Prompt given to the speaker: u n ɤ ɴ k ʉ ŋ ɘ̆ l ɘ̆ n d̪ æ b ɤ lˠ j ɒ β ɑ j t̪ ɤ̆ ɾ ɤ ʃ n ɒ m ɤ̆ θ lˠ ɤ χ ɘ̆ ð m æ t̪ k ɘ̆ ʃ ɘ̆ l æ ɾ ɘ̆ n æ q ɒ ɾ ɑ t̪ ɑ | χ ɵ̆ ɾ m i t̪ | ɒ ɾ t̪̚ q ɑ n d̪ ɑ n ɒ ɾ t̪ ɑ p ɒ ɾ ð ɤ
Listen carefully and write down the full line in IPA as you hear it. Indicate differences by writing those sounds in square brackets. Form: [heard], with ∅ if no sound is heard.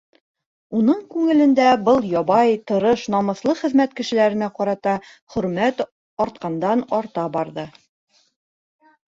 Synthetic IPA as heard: u n ɤ ɴ k ʉ ŋ ɘ̆ l ɘ̆ n d̪ æ b ɤ lˠ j ɒ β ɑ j t̪ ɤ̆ ɾ ɤ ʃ n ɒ m ɤ̆ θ lˠ ɤ χ ɘ̆ ð m æ t̪ k ɘ̆ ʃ ɘ̆ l æ ɾ ɘ̆ n æ q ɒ ɾ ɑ t̪ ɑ | χ ɵ̆ ɾ m [æ] t̪ | ɒ ɾ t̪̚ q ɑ n d̪ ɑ n ɒ ɾ t̪ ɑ [b] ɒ ɾ ð ɤ